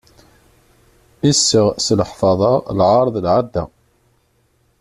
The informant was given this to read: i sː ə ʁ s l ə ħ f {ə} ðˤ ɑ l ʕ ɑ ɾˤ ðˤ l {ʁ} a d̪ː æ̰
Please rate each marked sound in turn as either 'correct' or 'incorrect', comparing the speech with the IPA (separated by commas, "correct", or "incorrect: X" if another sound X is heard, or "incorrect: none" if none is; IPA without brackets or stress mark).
incorrect: ɑ, incorrect: ʕ